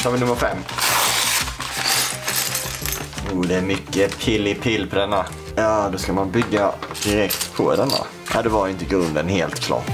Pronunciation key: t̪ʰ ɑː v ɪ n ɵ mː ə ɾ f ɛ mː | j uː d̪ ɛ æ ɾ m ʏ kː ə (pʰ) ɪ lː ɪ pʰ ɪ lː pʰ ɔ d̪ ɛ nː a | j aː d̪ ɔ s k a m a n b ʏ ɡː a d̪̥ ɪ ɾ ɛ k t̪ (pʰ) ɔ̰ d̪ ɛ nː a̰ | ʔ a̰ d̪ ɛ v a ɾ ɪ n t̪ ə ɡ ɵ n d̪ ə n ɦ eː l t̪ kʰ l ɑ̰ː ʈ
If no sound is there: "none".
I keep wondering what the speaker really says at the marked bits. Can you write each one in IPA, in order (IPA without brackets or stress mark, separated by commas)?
pʰ, pʰ